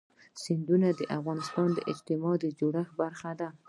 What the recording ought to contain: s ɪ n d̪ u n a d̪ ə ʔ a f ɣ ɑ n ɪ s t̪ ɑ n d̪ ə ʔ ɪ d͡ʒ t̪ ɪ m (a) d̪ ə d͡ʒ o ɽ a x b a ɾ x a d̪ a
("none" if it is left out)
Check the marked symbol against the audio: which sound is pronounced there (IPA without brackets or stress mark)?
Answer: ɑ